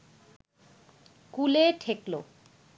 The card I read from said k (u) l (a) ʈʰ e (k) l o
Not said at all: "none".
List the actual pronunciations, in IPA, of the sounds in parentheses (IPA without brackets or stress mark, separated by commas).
u, e, k